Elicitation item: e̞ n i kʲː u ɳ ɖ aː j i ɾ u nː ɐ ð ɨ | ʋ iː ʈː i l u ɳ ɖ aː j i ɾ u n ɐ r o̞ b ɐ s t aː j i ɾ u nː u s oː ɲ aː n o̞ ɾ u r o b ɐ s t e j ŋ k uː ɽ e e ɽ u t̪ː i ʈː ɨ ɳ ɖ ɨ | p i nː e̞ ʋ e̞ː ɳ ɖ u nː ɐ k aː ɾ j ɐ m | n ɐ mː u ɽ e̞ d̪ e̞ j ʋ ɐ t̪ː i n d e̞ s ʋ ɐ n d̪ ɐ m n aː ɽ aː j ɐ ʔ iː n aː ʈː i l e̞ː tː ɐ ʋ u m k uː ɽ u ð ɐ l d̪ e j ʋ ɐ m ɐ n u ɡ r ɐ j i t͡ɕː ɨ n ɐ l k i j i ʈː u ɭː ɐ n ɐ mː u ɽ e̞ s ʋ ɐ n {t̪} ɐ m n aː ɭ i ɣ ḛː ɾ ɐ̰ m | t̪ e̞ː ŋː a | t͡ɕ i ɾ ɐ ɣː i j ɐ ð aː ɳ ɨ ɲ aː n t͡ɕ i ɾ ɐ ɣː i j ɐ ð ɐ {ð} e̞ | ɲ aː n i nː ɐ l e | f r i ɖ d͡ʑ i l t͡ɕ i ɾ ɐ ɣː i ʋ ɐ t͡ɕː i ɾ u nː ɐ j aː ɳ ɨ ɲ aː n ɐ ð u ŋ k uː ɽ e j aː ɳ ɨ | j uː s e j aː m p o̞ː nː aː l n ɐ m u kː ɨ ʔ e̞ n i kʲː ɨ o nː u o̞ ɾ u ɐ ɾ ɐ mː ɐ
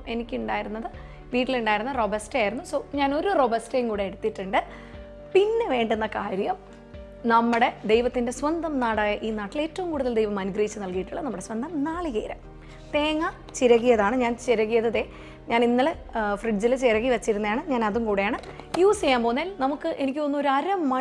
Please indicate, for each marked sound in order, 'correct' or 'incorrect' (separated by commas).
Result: incorrect, correct